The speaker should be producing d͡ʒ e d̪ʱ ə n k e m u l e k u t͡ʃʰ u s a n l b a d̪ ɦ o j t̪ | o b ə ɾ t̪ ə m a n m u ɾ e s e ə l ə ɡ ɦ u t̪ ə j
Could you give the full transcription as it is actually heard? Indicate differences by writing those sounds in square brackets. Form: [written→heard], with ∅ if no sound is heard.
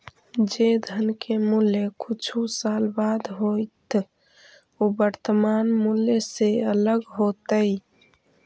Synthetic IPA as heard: d͡ʒ e d̪ʱ ə n k e m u l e k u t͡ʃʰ u s a [n→∅] l b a d̪ ɦ o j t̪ | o b ə ɾ t̪ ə m a n m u [ɾ→l] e s e ə l ə ɡ ɦ [u→o] t̪ ə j

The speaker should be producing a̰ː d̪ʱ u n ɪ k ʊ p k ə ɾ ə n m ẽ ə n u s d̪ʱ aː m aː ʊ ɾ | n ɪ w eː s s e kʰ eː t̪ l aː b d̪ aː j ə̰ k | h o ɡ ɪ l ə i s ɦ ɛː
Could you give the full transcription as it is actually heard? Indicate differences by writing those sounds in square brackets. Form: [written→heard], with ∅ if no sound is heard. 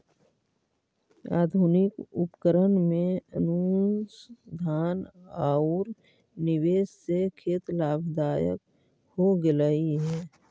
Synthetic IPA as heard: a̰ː d̪ʱ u n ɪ k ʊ p k ə ɾ ə n m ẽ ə n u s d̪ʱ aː [m→n] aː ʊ ɾ | n ɪ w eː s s e kʰ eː t̪ l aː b d̪ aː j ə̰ k | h o ɡ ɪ l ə i [s→∅] ɦ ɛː

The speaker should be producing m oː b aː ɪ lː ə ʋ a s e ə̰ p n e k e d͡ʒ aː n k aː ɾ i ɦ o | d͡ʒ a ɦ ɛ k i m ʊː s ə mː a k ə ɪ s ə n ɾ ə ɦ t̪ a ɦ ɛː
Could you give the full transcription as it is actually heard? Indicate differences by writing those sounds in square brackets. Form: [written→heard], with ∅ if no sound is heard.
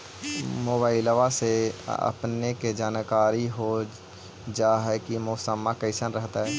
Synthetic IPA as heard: m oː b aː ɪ [lː→l] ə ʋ a s e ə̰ p n e k e d͡ʒ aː n k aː ɾ i ɦ o | d͡ʒ a ɦ ɛ k i m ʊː s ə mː a k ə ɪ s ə n ɾ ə ɦ t̪ a ɦ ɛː

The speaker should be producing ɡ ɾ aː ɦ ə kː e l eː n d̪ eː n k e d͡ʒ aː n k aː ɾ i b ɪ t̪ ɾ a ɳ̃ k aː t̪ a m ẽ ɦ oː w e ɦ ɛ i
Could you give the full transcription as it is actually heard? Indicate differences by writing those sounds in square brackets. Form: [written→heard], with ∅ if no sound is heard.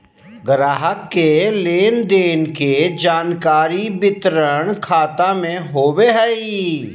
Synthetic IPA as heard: ɡ ɾ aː ɦ ə kː e l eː n d̪ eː n k e d͡ʒ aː n k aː ɾ i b ɪ t̪ ɾ [a→ə] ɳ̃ [k→kʰ] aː t̪ a m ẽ ɦ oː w e ɦ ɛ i

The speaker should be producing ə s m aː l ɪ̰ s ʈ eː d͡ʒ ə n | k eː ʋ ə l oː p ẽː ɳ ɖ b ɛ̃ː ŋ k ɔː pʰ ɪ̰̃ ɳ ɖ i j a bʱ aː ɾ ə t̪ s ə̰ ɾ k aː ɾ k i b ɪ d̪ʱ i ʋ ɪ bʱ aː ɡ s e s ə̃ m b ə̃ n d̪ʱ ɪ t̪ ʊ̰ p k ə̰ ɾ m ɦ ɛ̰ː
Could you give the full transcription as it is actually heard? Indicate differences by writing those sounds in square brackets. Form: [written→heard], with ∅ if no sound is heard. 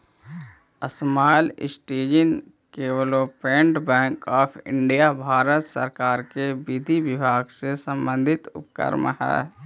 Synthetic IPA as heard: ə s m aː l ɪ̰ s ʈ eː d͡ʒ ə n | k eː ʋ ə l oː p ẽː ɳ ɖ b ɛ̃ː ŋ k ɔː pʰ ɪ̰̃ ɳ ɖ i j a bʱ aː ɾ ə t̪ s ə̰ ɾ k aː ɾ k [i→e] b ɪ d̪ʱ i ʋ ɪ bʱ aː ɡ s e s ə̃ m b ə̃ n d̪ʱ ɪ t̪ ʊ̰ p k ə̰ ɾ m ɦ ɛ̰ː

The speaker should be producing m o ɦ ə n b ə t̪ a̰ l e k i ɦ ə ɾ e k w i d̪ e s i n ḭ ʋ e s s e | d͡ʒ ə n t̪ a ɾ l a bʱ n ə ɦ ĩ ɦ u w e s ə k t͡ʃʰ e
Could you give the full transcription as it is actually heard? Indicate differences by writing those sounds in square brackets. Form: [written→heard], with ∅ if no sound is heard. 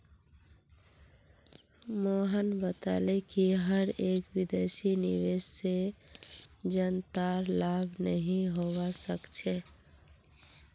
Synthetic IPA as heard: m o ɦ ə n b ə t̪ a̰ l e k i ɦ ə ɾ e k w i d̪ e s i n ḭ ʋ e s s e | d͡ʒ ə n t̪ a ɾ l a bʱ n ə ɦ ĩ ɦ [u→o] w [e→a] s ə k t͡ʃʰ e

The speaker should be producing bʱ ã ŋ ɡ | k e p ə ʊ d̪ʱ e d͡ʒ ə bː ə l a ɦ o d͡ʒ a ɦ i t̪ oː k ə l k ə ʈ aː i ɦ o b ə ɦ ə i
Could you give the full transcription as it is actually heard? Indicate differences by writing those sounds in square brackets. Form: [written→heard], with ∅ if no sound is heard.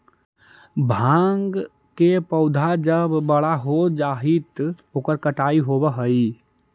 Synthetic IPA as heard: bʱ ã ŋ ɡ | k e p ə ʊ d̪ʱ [e→a] d͡ʒ ə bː ə [l→ɽ] a ɦ o d͡ʒ a ɦ i t̪ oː k ə [l→ɾ] k ə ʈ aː i ɦ o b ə ɦ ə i

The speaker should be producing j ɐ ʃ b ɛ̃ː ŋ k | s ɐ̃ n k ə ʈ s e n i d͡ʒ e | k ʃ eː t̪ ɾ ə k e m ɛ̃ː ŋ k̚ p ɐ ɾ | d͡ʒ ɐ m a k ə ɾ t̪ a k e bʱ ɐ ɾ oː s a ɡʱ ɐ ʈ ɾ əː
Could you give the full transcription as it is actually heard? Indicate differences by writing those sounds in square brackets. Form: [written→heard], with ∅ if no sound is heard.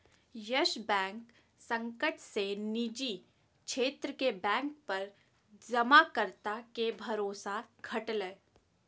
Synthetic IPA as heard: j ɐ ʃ b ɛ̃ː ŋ k | s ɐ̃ [n→ŋ] k ə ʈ s e n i d͡ʒ [e→i] | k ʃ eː t̪ ɾ ə k e [m→b] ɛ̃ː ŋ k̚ p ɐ ɾ | d͡ʒ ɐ m a k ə ɾ t̪ a k e bʱ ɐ ɾ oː s a ɡʱ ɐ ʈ [ɾ→l] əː

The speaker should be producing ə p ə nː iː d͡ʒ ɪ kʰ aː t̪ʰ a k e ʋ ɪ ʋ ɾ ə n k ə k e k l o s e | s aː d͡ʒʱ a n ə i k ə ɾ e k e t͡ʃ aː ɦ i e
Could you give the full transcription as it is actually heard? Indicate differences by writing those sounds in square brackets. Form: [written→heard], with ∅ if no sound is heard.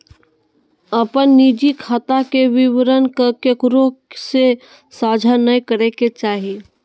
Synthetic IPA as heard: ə p ə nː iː d͡ʒ [ɪ→i] kʰ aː [t̪ʰ→t̪] a k e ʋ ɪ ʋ ɾ ə n k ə k e k [l→ɾ] o s e | s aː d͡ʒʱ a n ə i k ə ɾ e k e t͡ʃ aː ɦ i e

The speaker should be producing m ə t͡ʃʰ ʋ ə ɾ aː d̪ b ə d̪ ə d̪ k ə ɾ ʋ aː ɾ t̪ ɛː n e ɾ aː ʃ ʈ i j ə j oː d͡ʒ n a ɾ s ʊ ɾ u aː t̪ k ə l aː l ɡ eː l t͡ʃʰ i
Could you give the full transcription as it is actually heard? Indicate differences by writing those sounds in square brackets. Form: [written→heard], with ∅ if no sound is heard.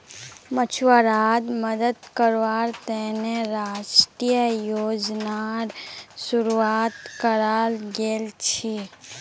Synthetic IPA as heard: m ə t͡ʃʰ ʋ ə ɾ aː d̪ [b→m] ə d̪ ə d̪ k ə ɾ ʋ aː ɾ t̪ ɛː n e ɾ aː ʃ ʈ i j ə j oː d͡ʒ n a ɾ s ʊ ɾ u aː t̪ k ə [l→ɾ] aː l ɡ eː l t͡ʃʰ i

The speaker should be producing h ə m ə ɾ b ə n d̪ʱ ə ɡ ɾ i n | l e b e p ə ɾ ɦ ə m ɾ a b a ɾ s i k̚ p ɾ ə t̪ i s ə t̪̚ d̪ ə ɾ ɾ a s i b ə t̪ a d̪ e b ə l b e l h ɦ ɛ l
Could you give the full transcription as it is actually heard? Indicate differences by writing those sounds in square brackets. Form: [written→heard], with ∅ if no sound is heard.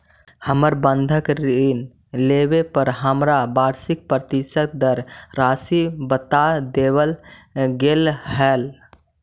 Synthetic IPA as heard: h ə m ə ɾ b ə n d̪ʱ ə [ɡ→k] ɾ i n | l e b e p ə ɾ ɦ ə m ɾ a b a ɾ s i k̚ p ɾ ə t̪ i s ə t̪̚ d̪ ə ɾ ɾ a s i b ə t̪ a d̪ e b ə l [b→ɡ] e l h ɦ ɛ l

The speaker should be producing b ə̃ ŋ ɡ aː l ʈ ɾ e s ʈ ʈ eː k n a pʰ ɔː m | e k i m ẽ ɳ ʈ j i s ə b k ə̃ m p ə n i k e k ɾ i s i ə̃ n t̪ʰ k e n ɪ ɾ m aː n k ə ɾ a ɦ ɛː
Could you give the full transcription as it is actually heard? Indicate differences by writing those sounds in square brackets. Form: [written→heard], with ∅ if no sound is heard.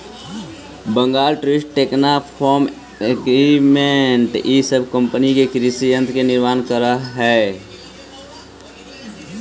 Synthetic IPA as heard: b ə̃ ŋ ɡ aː l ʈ ɾ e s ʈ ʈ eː k n a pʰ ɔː m | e k i m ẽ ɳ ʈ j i s ə b k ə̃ m p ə n i k e k ɾ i s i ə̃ n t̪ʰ k e n ɪ ɾ m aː n k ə ɾ a ɦ ɛː

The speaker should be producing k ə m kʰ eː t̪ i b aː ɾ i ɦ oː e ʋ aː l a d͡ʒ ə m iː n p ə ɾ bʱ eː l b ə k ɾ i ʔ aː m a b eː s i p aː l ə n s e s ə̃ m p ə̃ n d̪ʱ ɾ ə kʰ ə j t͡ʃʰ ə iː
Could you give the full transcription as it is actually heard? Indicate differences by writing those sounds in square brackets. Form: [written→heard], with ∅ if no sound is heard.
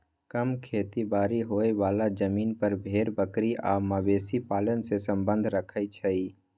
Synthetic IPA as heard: k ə m kʰ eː t̪ i b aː ɾ i ɦ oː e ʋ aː l a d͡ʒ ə m iː n p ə ɾ bʱ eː [l→ɾ] b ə k ɾ i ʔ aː m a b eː s i p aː l ə n s e s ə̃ m [p→b] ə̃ n d̪ʱ ɾ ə kʰ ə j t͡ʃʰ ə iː

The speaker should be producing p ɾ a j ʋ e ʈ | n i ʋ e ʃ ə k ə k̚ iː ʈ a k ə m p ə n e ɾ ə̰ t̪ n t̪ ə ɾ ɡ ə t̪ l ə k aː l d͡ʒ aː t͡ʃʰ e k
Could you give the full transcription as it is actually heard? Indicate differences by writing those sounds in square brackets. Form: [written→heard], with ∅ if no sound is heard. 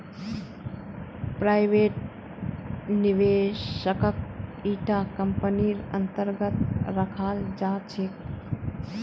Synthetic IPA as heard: p ɾ a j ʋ e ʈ | n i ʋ e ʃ ə k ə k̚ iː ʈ a k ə m p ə n [e→i] ɾ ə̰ [t̪→∅] n t̪ ə ɾ ɡ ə t̪ [l→ɾ] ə [k→kʰ] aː l d͡ʒ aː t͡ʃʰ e k

